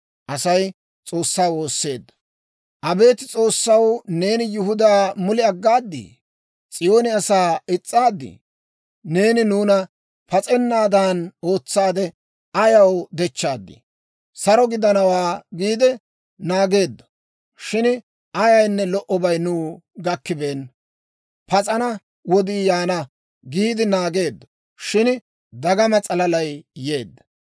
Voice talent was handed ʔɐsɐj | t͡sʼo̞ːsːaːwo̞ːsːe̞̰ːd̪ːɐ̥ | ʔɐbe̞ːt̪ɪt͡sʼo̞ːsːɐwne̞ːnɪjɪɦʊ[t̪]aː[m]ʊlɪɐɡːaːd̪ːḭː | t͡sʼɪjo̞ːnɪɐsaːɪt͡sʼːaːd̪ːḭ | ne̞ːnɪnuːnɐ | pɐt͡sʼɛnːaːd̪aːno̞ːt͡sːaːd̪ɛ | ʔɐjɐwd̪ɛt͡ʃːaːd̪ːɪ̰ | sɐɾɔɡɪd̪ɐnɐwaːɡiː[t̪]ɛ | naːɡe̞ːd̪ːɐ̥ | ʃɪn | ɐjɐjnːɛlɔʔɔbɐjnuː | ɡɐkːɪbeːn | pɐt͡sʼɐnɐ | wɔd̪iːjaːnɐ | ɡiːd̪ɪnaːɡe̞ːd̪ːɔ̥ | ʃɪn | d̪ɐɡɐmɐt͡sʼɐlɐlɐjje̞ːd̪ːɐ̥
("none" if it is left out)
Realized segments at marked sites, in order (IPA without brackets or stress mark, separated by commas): d̪, m, d̪